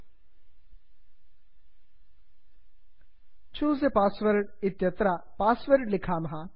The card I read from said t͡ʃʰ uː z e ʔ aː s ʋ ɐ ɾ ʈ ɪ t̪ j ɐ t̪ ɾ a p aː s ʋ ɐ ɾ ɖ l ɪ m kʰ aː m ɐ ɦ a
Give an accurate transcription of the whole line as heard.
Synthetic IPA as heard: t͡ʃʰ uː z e p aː s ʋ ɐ ɾ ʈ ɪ t̪ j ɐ t̪ ɾ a p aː s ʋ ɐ ɾ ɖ l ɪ kʰ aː m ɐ ɦ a